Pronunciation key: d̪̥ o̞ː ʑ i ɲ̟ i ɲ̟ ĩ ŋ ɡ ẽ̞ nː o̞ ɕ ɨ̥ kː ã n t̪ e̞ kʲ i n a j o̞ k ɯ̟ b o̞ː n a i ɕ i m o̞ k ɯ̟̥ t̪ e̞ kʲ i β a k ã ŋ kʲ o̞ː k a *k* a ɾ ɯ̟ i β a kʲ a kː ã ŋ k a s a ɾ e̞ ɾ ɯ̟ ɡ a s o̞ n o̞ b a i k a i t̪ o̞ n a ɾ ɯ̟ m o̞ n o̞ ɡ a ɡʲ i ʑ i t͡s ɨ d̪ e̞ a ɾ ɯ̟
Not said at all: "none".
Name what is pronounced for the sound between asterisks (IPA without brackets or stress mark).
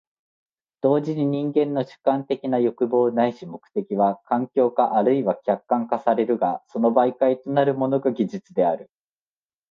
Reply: ʔ